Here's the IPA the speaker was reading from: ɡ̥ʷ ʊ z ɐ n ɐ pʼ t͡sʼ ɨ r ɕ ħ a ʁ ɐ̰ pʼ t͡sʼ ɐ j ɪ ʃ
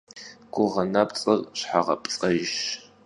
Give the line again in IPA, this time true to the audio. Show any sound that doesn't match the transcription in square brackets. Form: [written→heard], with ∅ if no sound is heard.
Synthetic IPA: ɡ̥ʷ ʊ [z→ʁ] ɐ n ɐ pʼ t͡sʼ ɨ r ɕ ħ a ʁ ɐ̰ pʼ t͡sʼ ɐ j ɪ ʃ